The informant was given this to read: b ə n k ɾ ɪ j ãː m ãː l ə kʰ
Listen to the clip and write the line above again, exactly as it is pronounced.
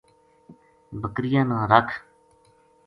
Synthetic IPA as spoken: b ə k ɾ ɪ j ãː n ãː ɾ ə kʰ